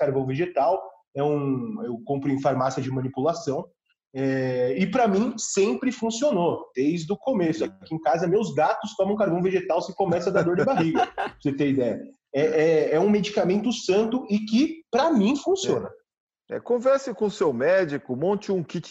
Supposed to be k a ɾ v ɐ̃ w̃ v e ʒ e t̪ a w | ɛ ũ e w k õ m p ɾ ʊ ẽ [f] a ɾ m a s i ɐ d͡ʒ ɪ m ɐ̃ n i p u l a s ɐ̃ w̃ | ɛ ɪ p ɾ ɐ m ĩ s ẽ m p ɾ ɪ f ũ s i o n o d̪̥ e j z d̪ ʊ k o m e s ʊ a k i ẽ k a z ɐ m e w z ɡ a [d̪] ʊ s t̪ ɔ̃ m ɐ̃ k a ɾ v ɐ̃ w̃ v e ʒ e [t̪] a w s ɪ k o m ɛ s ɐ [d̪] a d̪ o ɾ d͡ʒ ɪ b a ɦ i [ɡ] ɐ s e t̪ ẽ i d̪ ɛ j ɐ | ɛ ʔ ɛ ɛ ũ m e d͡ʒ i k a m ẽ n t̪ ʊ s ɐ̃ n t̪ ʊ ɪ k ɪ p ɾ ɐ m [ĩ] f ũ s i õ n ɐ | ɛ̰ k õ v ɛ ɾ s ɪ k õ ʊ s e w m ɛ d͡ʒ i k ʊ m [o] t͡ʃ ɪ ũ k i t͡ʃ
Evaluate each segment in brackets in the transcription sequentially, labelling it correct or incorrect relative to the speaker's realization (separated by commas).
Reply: correct, incorrect, correct, correct, correct, correct, incorrect